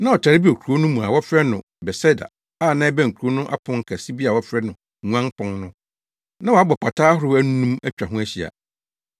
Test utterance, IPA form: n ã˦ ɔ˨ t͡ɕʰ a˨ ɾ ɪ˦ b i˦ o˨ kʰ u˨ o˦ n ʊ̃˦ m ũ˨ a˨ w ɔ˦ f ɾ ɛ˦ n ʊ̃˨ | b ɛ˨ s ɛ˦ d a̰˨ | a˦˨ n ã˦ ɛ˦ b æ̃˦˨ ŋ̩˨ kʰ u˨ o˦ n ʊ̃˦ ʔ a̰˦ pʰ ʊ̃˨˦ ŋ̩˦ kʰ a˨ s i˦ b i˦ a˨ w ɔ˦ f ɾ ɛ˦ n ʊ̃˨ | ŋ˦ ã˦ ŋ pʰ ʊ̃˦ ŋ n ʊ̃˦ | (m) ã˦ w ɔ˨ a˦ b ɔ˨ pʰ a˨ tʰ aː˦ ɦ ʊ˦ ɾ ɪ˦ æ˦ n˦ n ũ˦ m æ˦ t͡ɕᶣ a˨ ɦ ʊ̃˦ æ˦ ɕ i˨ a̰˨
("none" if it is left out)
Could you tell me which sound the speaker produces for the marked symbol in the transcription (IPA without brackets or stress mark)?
n